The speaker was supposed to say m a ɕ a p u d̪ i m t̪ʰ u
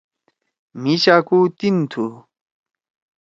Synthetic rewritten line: m i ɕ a k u t̪ i n t̪ʰ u

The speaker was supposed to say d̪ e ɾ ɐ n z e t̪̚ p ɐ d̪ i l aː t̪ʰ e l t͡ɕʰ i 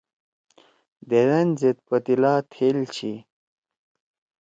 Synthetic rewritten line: d̪ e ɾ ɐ n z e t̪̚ p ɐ t̪ i l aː t̪ʰ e l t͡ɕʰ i

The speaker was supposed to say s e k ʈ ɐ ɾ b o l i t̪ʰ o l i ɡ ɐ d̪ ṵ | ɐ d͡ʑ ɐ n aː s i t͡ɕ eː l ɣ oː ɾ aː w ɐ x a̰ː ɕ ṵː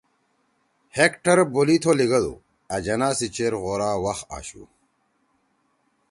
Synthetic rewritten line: h e k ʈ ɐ ɾ b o l i t̪ʰ o l i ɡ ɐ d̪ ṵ | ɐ d͡ʑ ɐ n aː s i t͡ɕ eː ɾ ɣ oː ɾ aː w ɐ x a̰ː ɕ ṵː

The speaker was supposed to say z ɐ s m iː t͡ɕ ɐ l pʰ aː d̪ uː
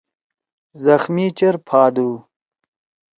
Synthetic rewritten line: z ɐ x m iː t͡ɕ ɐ ɾ pʰ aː d̪ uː

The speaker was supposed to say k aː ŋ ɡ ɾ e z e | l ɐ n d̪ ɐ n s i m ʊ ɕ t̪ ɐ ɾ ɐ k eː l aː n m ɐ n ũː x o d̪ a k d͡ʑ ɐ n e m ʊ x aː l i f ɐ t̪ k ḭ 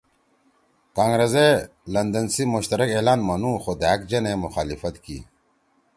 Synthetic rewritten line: k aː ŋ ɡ ɾ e z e | l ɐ n d̪ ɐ n s i m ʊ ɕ t̪ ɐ ɾ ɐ k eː l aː n m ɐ n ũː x o d̪ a k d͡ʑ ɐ n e m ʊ x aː l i f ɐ t̪ k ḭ

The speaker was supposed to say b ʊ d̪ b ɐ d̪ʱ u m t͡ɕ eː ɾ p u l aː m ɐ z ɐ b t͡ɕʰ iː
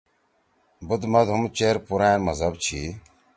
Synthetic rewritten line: b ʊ d̪ m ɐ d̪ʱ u m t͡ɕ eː ɾ p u ɾ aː m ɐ z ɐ b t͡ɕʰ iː

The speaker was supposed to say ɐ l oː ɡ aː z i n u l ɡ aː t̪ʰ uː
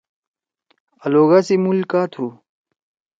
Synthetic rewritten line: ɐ l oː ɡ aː s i m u l k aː t̪ʰ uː

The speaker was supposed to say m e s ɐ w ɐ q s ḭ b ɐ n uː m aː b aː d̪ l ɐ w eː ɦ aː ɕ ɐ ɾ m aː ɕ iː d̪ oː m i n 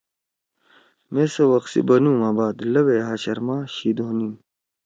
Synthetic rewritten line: m e s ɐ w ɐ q s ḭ b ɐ n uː m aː b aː d̪ l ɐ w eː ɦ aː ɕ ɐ ɾ m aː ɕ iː d̪ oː n i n

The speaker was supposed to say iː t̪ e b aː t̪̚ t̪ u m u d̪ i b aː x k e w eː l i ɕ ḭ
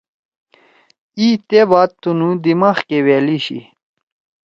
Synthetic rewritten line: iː t̪ e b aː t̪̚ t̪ u n u d̪ i m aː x k e w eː l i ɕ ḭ

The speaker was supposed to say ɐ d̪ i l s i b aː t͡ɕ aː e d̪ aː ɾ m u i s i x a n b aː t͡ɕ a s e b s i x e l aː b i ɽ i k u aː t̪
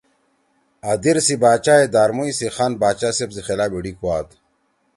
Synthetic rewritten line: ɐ d̪ i ɾ s i b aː t͡ɕ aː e d̪ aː ɾ m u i s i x a n b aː t͡ɕ a s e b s i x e l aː b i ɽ i k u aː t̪

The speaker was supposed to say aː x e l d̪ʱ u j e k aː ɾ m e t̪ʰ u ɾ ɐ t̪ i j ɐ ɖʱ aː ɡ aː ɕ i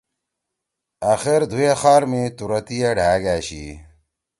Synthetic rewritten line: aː x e ɾ d̪ʱ u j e x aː ɾ m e t̪ u ɾ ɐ t̪ i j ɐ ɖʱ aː ɡ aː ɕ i

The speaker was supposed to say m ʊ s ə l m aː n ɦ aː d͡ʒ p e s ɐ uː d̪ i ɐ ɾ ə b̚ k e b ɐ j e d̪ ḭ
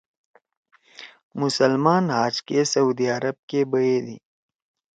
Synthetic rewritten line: m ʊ s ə l m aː n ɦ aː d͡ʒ k e s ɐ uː d̪ i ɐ ɾ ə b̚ k e b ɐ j e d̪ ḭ

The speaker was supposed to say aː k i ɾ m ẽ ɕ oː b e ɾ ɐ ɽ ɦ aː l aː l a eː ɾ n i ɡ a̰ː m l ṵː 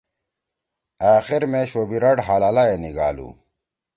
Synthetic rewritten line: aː x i ɾ m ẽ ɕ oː b i ɾ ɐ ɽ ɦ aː l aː l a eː n i ɡ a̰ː l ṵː

